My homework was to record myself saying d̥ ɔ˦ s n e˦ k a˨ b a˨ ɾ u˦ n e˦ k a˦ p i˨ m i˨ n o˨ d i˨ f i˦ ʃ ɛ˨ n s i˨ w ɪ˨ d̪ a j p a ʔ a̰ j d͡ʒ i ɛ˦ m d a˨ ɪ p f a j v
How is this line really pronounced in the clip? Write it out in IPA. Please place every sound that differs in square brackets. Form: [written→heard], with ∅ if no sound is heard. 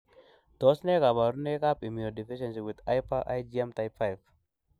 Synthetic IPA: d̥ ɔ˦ s n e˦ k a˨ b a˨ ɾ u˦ n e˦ k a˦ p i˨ m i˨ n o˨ d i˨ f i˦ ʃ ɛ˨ n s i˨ w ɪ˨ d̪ a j p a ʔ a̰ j d͡ʒ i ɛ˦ m [d→t] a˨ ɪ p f a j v